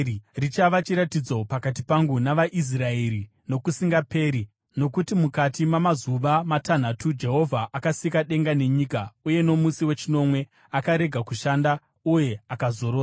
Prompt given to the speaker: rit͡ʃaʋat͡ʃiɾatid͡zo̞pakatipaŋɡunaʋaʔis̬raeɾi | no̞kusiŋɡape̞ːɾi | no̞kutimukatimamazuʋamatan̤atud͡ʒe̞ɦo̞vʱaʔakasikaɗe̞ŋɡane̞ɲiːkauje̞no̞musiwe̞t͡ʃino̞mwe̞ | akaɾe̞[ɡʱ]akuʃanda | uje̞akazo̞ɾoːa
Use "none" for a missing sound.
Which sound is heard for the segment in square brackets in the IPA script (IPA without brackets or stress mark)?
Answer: ɡʱ